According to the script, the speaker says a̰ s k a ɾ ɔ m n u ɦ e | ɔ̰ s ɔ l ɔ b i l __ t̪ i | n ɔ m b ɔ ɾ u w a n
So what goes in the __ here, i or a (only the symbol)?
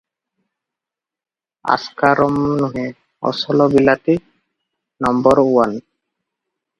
a